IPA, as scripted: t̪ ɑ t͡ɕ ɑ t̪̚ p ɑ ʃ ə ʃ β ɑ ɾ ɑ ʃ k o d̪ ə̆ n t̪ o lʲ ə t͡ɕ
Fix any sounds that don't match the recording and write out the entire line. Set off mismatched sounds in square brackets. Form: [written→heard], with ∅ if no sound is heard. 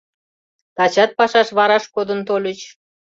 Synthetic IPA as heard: t̪ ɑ t͡ɕ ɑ t̪̚ p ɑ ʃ [ə→ɑ] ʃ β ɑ ɾ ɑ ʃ k o d̪ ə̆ n t̪ o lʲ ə t͡ɕ